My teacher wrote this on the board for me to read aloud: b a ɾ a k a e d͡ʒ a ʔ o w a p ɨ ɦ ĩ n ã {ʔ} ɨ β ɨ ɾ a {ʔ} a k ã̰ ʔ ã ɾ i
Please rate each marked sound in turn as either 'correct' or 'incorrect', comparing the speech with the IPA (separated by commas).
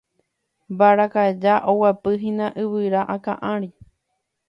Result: correct, correct